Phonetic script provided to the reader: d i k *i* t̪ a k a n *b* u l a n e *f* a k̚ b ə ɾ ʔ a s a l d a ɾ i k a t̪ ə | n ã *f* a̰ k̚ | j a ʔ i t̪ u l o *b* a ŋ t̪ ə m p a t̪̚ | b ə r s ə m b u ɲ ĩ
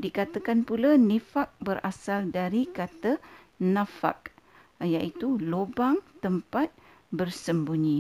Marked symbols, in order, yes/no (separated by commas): no, no, yes, yes, yes